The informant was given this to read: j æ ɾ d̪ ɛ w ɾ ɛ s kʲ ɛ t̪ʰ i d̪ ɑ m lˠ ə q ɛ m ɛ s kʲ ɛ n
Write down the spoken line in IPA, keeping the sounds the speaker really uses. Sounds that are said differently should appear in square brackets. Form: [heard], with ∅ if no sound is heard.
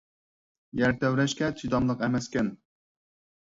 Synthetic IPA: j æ ɾ [t̪] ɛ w ɾ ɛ [ʃ] kʲ ɛ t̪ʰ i d̪ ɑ m lˠ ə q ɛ m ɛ s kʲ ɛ n

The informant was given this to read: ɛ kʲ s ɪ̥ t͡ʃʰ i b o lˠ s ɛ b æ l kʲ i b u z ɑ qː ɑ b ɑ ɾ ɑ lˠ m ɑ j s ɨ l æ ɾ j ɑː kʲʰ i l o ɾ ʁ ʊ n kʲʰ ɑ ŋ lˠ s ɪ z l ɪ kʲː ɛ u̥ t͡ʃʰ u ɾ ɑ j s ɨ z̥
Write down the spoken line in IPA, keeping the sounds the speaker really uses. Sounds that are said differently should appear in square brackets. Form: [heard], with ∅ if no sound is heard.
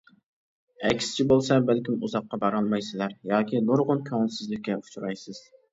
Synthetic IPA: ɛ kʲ s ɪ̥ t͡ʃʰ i b o lˠ s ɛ b æ l kʲ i [m] u z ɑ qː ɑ b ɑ ɾ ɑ lˠ m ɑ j s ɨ l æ ɾ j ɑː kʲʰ i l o ɾ ʁ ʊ n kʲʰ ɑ ŋ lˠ s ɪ z l ɪ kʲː ɛ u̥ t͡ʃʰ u ɾ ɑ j s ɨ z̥

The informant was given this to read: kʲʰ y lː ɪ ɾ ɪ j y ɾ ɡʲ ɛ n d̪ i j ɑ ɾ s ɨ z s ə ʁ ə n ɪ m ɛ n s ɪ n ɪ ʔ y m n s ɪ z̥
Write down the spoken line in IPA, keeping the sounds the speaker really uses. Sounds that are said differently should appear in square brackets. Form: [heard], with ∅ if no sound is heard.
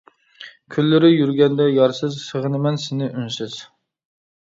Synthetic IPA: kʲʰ y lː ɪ ɾ ɪ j y ɾ ɡʲ ɛ n d̪ [ɛ] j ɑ ɾ s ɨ z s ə ʁ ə n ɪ m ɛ n s ɪ n ɪ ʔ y [∅] n s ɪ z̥

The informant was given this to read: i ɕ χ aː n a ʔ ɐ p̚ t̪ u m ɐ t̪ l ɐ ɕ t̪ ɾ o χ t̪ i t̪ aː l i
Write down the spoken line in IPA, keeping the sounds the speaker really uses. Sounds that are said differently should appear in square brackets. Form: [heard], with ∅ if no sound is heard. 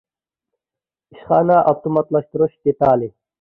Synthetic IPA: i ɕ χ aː n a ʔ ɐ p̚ t̪ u m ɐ t̪ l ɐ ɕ t̪ ɾ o [ɕ] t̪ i t̪ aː l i

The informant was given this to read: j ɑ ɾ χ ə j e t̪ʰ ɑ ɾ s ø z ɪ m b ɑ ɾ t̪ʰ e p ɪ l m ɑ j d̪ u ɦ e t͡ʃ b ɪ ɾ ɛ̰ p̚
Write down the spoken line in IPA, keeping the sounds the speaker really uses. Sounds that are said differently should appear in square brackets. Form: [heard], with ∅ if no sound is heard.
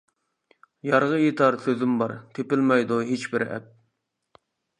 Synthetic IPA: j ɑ ɾ [ʁ] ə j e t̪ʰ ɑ ɾ s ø z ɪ m b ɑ ɾ t̪ʰ e p ɪ l m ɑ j d̪ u ɦ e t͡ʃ b ɪ ɾ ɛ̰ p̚

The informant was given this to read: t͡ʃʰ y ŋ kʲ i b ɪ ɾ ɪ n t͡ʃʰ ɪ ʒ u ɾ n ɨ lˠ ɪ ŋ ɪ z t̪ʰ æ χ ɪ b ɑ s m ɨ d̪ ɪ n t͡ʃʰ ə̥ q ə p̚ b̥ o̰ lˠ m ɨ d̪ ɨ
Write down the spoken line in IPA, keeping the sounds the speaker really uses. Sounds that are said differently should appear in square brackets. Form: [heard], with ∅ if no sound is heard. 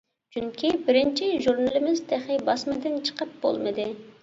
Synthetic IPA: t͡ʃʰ y ŋ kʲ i b ɪ ɾ ɪ n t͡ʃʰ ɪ ʒ u ɾ n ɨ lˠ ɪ [m] ɪ z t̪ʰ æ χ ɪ b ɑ s m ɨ d̪ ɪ n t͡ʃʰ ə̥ q ə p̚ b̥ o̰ lˠ m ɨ d̪ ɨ

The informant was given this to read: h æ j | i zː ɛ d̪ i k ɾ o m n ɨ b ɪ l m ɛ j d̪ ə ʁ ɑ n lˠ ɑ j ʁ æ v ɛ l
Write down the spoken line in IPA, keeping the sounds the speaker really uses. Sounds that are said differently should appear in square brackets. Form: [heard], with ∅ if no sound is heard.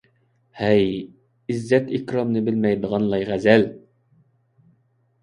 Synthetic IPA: h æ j | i zː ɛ [t̪] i k ɾ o m n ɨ b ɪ l m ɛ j d̪ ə ʁ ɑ n lˠ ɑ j ʁ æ [z] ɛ l

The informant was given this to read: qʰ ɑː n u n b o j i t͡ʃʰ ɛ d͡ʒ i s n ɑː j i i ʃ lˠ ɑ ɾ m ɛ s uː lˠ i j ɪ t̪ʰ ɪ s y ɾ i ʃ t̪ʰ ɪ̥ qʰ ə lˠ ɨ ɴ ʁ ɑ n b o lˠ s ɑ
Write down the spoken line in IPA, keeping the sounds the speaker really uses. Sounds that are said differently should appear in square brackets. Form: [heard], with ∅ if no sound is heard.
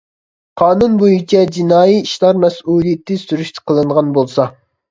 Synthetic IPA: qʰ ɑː n u n b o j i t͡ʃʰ ɛ d͡ʒ i [∅] n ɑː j i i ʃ lˠ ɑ ɾ m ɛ s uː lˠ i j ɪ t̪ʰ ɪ s y ɾ [y] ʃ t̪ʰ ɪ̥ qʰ ə lˠ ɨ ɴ ʁ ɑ n b o lˠ s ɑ

